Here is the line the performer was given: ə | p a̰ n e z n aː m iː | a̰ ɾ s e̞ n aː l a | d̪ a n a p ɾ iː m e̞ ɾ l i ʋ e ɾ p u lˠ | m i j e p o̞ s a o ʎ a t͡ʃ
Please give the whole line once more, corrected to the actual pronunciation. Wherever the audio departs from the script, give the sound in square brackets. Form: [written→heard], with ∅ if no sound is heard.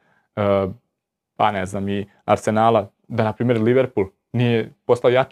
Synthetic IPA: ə | p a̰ n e z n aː m [iː→i] | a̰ ɾ s e̞ n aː l a | d̪ a n a p ɾ iː m e̞ ɾ l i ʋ e ɾ p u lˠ | [m→n] i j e p o̞ s a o [ʎ→j] a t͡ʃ